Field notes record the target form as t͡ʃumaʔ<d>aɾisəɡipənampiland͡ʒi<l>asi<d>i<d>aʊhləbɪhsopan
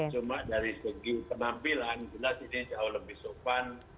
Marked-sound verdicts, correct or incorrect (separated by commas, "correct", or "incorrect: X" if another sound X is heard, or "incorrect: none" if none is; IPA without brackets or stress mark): correct, correct, incorrect: n, incorrect: d͡ʒ